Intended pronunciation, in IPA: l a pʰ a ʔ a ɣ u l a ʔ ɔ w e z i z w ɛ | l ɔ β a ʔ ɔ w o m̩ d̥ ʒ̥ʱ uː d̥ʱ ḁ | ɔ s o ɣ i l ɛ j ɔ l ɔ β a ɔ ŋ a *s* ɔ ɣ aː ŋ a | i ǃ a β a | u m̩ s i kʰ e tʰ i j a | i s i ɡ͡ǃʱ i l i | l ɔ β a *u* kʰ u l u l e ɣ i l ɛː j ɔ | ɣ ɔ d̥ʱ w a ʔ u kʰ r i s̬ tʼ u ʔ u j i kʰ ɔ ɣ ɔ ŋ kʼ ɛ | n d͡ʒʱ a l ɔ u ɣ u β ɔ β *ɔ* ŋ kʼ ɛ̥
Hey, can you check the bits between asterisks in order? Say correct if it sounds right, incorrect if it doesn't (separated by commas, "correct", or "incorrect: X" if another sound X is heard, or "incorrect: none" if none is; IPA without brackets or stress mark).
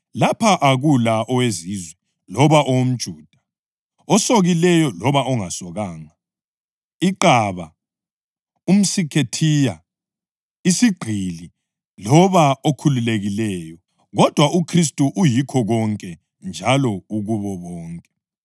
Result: correct, incorrect: o, incorrect: ɔː